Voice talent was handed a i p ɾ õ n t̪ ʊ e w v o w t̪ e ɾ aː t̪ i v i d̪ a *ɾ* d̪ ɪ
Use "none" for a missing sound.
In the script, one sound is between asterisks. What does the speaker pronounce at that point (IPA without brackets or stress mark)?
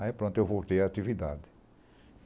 none